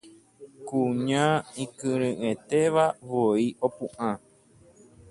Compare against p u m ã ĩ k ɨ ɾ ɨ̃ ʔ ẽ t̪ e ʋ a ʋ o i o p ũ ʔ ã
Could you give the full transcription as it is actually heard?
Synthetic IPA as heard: k u ɲ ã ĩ k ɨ ɾ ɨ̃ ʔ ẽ t̪ e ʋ a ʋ o i o p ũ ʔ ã